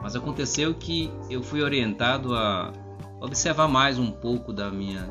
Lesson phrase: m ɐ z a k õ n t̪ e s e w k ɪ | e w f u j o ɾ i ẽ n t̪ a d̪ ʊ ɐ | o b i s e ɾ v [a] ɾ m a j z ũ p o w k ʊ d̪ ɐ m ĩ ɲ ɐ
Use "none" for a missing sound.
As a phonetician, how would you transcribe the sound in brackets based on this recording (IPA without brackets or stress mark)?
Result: a